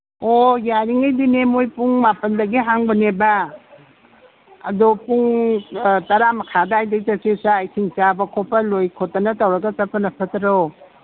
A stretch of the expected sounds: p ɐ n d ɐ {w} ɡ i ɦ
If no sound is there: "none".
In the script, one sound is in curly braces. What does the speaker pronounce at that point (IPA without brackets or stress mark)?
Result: none